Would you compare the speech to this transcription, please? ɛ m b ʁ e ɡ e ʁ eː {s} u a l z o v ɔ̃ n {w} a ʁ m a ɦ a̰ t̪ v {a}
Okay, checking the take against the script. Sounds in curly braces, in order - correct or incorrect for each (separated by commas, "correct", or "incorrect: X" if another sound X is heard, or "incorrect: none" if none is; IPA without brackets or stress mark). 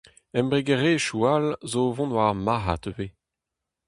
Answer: incorrect: ʃ, correct, incorrect: e